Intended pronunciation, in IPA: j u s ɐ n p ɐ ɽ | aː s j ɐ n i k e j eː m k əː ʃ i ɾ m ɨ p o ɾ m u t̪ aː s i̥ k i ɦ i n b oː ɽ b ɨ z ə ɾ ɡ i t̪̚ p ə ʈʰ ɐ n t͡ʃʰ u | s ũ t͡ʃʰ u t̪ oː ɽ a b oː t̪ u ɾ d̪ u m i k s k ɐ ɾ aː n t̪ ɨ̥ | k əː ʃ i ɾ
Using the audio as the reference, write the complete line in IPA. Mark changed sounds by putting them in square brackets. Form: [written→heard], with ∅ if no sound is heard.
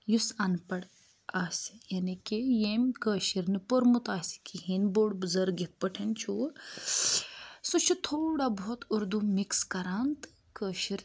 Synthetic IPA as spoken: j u s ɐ n p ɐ ɽ | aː s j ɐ n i k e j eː m k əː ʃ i ɾ [m→n] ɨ p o ɾ m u t̪ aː s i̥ k i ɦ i n b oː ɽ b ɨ z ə ɾ ɡ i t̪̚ p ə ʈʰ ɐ n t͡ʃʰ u | s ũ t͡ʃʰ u [t̪→t̪ʰ] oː ɽ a b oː t̪ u ɾ d̪ u m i k s k ɐ ɾ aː n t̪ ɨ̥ | k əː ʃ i ɾ